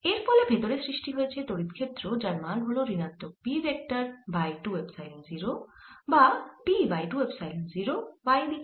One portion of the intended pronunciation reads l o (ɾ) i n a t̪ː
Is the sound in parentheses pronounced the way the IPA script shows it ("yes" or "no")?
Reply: yes